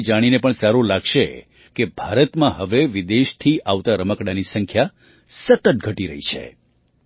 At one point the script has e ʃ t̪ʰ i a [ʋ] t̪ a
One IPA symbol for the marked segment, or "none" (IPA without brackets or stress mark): ʋ